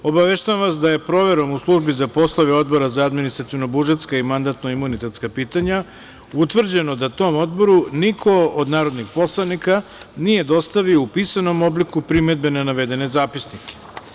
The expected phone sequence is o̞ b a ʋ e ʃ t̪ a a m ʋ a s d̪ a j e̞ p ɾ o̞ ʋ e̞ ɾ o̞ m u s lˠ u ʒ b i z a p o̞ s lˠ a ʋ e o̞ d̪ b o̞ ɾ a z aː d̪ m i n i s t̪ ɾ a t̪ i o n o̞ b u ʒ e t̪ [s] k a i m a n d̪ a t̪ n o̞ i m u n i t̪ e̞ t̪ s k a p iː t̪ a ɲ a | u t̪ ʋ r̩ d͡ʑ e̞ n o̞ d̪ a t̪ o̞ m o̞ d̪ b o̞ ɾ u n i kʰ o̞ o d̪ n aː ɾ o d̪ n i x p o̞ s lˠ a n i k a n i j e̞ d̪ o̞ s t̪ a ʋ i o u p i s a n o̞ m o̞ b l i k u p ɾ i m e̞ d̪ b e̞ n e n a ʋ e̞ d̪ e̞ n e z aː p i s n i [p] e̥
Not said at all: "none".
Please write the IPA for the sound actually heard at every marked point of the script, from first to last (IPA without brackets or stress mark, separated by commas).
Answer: s, k